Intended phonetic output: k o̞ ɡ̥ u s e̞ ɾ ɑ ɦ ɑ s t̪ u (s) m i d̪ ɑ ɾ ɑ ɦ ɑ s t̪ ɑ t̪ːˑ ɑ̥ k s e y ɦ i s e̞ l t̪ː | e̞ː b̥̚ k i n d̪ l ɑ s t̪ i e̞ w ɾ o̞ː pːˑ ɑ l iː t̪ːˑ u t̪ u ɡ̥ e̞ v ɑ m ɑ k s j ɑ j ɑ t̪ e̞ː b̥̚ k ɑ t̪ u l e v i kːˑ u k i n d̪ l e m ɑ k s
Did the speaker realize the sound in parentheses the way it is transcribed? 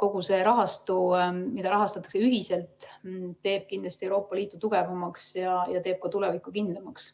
no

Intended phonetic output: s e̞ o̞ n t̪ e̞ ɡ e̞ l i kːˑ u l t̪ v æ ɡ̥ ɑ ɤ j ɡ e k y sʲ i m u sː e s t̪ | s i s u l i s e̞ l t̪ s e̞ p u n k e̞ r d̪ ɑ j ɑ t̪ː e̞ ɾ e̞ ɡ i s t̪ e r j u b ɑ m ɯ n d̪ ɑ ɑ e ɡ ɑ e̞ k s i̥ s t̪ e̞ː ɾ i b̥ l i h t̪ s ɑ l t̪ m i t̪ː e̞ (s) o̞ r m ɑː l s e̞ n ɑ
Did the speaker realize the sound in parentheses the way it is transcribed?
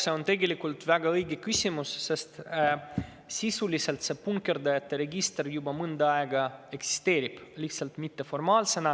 no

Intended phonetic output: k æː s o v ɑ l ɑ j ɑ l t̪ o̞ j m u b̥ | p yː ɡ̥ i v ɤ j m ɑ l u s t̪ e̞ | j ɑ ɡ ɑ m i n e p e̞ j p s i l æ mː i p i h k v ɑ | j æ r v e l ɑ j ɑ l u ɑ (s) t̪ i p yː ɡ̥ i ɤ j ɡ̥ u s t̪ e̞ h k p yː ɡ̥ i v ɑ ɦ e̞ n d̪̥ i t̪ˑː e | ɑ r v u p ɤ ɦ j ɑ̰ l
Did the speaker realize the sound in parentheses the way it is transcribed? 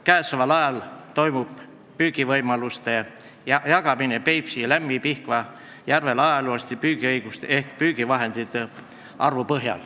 yes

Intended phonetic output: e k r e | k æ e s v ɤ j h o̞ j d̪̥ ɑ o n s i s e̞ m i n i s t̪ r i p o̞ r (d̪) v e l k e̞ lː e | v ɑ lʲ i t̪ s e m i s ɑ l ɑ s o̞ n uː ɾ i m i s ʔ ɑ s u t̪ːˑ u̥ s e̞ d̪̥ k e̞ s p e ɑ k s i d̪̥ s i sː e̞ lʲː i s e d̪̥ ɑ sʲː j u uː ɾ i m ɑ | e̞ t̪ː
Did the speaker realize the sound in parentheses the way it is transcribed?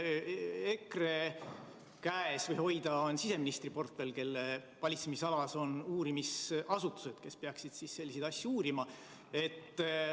no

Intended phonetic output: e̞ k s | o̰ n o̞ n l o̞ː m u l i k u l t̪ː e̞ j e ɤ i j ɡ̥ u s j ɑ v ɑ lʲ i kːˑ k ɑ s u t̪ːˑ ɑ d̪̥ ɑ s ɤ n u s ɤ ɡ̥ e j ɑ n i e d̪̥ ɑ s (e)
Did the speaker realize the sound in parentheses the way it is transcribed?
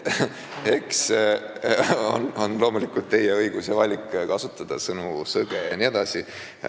no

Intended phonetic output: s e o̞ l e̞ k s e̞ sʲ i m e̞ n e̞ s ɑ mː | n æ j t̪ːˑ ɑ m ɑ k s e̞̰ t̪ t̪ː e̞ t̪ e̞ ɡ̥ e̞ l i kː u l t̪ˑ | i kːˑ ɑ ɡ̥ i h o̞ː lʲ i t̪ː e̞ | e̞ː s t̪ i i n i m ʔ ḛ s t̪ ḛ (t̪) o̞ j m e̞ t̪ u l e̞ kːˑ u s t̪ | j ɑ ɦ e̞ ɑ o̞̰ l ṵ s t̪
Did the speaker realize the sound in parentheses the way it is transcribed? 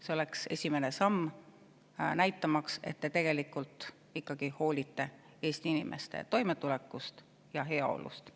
yes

